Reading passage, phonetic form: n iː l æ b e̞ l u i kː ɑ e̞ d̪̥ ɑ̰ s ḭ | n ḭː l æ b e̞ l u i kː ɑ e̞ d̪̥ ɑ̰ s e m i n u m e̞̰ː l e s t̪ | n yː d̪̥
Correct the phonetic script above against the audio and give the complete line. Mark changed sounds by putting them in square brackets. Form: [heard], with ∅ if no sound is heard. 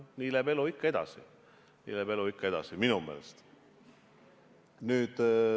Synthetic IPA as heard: n iː l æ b e̞ l u i kː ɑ e̞ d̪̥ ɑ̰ s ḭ | n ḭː l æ b e̞ l u i kː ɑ e̞ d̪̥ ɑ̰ s [i] m i n u m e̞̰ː l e s t̪ | n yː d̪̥